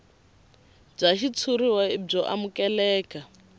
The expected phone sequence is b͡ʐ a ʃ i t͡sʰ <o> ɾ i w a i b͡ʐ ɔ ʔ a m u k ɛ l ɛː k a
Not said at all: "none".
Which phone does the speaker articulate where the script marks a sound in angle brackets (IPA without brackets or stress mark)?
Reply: u